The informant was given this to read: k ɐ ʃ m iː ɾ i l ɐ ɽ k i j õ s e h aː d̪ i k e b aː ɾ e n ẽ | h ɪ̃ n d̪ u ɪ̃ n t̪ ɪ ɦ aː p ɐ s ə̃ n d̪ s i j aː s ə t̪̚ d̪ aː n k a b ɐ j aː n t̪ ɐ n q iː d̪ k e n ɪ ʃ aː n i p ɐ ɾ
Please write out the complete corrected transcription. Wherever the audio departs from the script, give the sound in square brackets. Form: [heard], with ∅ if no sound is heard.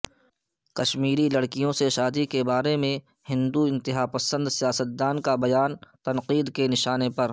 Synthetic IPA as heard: k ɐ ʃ m iː ɾ i l ɐ ɽ k i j õ s e [ʃ] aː d̪ i k e b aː ɾ e [m] ẽ | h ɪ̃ n d̪ u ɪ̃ n t̪ ɪ ɦ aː p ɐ s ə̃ n d̪ s i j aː s ə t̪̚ d̪ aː n k a b ɐ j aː n t̪ ɐ n q iː d̪ k e n ɪ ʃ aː n [e] p ɐ ɾ

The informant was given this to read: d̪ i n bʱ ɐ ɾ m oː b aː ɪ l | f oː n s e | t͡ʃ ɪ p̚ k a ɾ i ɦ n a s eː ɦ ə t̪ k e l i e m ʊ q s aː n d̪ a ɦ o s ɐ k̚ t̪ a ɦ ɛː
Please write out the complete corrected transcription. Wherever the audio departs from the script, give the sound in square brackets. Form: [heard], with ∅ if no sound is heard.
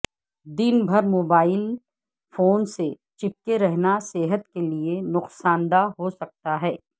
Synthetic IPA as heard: d̪ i n bʱ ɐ ɾ m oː b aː ɪ l | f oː n s e | t͡ʃ ɪ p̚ k [e] ɾ [ɛ] ɦ n a s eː ɦ ə t̪ k e l i e [n] ʊ q s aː n d̪ a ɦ o s ɐ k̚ t̪ a ɦ ɛː

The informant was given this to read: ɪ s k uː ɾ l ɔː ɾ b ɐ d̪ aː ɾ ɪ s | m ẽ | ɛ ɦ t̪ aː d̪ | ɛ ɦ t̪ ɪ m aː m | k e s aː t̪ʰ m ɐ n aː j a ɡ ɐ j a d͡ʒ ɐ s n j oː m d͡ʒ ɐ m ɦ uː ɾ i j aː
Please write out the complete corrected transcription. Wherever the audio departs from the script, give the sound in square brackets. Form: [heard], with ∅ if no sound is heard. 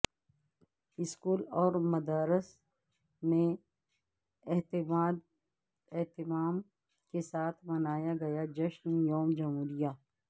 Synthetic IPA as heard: ɪ s k uː [∅] l ɔː ɾ [m] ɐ d̪ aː ɾ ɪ s | m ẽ | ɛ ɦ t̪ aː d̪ | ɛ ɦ t̪ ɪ m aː m | k e s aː t̪ʰ m ɐ n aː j a ɡ ɐ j a d͡ʒ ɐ [ʃ] n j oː m d͡ʒ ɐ m ɦ uː ɾ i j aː

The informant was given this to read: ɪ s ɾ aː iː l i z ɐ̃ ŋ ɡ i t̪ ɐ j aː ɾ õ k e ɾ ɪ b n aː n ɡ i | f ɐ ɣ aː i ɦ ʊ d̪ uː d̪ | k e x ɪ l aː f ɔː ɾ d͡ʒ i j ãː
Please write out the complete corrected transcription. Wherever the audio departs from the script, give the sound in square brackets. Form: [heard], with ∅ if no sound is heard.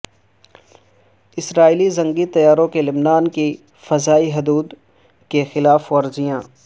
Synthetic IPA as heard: ɪ s ɾ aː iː l i z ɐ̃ ŋ ɡ i t̪ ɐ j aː ɾ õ k e [l] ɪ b n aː n [k] i | f ɐ [z] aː i ɦ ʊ d̪ uː d̪ | k e x ɪ l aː f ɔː ɾ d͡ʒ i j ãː

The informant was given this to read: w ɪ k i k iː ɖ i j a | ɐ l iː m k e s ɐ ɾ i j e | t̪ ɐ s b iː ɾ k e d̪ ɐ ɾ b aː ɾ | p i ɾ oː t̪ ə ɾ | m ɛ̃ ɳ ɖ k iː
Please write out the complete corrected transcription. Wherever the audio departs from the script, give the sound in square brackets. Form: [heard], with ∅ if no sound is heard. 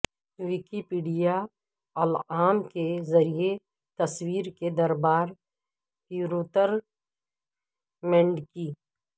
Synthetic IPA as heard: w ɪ k i [p] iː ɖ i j a | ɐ l [aː] m k e [z] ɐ ɾ i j e | t̪ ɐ s [w] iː ɾ k e d̪ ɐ ɾ b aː ɾ | p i ɾ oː t̪ ə ɾ | m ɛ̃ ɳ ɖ k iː

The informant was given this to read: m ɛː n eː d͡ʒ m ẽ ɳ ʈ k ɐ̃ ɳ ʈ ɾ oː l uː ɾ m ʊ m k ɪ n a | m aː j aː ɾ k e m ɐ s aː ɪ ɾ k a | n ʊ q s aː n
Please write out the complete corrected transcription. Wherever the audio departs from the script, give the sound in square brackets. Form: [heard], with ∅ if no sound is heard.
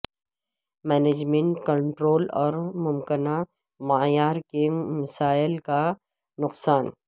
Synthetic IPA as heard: m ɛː n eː d͡ʒ m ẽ ɳ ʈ k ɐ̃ ɳ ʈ ɾ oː l [ɔː] ɾ m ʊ m k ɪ n a | m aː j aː ɾ k e m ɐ s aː ɪ [l] k a | n ʊ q s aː n

